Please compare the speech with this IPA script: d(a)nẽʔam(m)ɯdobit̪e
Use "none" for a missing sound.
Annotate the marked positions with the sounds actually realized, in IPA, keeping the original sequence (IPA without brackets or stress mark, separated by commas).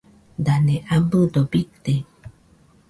a, b